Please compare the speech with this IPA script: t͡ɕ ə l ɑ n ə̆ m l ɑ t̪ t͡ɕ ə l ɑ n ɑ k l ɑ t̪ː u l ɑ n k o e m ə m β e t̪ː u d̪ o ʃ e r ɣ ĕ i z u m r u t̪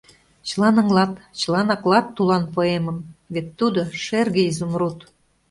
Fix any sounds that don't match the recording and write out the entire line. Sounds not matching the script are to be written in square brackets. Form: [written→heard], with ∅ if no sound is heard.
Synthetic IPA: t͡ɕ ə l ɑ n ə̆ [m→ŋ] l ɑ t̪ t͡ɕ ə l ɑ n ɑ k l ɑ t̪ː u l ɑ n [k→p] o e m ə m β e t̪ː u d̪ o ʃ e r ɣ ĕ i z u m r u t̪